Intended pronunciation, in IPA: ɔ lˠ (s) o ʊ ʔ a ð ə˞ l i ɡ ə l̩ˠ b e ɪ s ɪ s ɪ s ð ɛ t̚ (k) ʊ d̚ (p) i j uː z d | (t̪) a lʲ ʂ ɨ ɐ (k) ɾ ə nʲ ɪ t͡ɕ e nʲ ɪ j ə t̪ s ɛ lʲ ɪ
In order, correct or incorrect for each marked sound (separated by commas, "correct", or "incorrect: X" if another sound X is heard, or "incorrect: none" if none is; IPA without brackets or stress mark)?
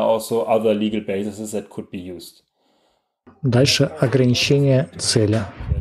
correct, incorrect: kʰ, incorrect: b, incorrect: d̪, incorrect: ɡ